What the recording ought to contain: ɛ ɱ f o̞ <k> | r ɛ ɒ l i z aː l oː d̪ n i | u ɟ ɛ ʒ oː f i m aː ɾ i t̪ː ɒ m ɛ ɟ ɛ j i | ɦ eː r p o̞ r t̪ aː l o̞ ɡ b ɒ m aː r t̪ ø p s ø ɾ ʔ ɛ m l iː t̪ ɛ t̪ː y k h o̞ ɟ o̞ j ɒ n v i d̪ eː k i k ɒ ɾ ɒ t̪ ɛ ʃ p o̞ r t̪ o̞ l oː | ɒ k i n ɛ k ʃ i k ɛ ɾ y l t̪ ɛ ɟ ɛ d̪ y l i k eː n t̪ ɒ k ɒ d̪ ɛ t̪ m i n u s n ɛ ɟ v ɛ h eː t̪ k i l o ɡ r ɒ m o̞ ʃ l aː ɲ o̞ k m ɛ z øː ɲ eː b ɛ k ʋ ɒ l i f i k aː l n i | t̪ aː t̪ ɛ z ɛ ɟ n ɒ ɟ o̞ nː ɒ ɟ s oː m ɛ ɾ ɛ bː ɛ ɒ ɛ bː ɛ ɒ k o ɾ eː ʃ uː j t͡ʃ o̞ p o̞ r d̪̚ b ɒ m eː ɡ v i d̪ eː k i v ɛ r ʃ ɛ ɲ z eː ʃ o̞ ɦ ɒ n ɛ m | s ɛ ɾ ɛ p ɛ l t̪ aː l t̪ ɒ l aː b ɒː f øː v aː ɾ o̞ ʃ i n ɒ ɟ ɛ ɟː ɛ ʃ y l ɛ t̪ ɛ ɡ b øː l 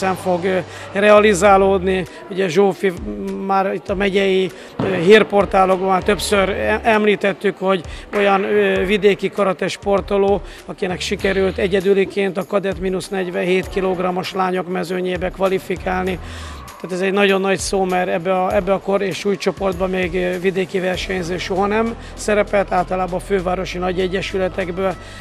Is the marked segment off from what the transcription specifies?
yes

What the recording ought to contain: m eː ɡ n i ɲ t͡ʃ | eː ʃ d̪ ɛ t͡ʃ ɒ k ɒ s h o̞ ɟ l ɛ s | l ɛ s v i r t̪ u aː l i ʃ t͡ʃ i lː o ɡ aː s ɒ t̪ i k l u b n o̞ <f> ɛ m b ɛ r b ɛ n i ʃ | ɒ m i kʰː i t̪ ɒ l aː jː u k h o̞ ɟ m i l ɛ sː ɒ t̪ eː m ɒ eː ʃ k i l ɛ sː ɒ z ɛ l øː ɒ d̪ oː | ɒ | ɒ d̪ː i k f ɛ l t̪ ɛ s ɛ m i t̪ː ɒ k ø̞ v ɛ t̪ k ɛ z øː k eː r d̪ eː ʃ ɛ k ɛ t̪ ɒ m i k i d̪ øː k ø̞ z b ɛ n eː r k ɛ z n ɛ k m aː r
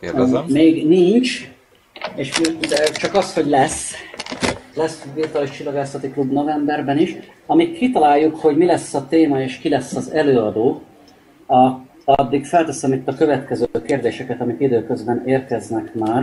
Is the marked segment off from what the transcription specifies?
yes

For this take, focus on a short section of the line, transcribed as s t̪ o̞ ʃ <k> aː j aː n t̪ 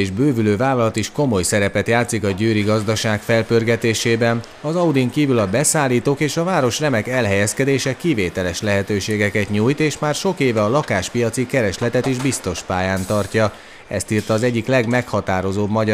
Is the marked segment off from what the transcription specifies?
yes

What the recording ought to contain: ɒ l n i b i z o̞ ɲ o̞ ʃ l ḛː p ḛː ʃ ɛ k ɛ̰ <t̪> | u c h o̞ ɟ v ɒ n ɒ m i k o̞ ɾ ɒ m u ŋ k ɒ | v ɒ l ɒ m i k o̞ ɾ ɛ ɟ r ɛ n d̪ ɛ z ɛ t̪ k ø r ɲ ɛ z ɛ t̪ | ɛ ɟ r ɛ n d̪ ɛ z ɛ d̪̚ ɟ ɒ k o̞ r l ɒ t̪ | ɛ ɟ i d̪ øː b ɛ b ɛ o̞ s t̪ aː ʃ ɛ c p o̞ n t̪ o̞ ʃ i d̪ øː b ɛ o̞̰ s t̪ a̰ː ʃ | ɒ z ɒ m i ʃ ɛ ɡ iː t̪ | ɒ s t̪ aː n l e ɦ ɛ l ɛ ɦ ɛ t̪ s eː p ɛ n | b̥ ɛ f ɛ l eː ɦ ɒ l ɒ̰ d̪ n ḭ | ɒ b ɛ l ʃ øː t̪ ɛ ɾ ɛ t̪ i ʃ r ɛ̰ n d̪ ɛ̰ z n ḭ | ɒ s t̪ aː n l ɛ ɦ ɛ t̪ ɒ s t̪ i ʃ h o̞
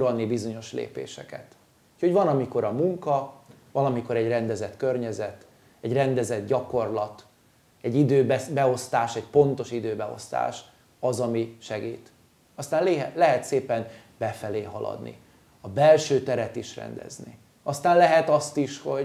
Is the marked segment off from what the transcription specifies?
no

